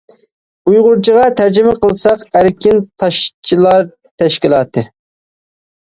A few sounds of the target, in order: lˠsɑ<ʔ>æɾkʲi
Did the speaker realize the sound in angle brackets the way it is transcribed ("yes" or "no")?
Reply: no